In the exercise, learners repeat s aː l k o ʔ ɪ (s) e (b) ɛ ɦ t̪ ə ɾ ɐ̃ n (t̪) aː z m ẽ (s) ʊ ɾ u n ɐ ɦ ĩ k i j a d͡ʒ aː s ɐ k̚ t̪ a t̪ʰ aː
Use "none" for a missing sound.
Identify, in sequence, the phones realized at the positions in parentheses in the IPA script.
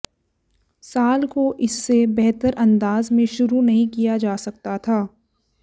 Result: sː, b, d̪, ʃ

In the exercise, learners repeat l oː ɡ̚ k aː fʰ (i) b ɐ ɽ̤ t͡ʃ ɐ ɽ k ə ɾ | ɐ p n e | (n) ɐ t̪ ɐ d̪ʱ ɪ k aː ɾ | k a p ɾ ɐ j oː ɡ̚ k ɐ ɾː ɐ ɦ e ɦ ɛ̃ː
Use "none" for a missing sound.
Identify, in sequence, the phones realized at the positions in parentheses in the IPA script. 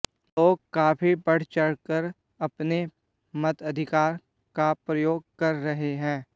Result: i, m

